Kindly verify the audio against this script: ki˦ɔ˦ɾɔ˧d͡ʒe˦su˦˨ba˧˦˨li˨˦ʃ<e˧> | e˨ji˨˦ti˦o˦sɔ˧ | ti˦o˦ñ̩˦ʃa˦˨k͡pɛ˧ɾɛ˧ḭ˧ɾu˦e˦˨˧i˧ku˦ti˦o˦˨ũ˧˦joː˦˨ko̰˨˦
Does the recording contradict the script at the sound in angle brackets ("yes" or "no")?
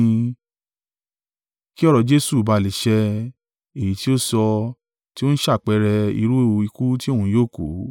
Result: yes